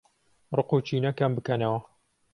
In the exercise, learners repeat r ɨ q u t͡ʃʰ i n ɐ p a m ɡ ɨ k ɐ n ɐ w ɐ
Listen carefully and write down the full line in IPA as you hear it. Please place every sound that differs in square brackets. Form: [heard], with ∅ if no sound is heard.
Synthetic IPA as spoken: r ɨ q u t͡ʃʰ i n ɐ [k] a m [b] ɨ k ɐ n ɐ w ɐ